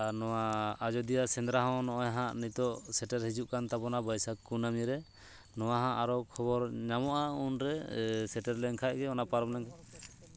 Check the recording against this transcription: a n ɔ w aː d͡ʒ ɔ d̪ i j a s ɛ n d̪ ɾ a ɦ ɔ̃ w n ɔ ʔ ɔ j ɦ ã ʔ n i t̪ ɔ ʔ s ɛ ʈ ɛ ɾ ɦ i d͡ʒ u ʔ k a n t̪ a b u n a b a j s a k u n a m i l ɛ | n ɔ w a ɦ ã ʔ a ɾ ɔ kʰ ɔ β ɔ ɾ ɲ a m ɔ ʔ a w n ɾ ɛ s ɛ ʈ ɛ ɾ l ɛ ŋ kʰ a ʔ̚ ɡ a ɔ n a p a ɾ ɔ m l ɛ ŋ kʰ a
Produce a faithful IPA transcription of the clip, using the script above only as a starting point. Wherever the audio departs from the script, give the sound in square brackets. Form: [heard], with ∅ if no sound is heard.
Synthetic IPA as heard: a n ɔ w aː d͡ʒ ɔ d̪ i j a s ɛ n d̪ ɾ a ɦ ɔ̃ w n ɔ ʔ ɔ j ɦ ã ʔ n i t̪ ɔ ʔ s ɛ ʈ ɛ ɾ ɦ i d͡ʒ u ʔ k a n t̪ a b [ɔ] n a b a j s a k u n a m i [ɾ] ɛ | n ɔ w a ɦ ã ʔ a ɾ ɔ kʰ ɔ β ɔ ɾ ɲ a m ɔ ʔ a [u] n ɾ ɛ s ɛ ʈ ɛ ɾ l ɛ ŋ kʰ a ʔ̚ ɡ [ɛ] ɔ n a p a ɾ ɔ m l ɛ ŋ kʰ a